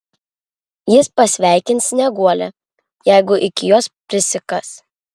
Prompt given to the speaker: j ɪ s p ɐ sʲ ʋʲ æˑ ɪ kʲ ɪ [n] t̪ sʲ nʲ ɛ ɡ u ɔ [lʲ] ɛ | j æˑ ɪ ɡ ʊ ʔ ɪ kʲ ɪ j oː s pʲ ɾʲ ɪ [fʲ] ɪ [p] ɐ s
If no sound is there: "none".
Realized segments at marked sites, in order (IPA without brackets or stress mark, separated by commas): n, lʲ, sʲ, k